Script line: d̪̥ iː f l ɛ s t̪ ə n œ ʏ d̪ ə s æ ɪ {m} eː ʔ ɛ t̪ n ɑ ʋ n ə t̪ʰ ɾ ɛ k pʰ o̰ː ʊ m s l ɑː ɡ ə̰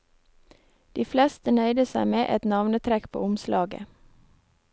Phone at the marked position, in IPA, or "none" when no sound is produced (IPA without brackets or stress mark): m